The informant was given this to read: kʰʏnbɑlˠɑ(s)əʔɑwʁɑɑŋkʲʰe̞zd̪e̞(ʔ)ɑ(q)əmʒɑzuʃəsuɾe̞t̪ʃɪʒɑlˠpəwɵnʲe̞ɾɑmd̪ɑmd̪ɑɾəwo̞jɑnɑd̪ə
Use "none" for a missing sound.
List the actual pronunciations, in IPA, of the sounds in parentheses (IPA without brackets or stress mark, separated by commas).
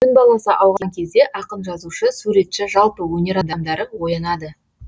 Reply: s, ʔ, q